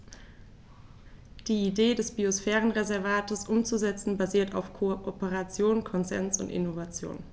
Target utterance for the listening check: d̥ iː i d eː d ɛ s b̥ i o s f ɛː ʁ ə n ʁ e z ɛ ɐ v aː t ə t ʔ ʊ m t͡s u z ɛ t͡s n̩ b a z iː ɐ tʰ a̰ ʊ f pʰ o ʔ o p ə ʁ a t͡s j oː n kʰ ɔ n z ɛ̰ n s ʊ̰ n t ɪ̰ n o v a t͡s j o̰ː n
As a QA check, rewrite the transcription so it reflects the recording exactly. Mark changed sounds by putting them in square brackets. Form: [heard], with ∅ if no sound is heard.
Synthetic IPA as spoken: d̥ iː i d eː d ɛ s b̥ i o s f ɛː ʁ ə n ʁ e z ɛ ɐ v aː t ə [s] ʔ ʊ m t͡s u z ɛ t͡s n̩ b a z iː ɐ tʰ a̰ ʊ f [kʰ] o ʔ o p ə ʁ a t͡s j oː n kʰ ɔ n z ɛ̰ n s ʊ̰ n t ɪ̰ n o v a t͡s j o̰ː n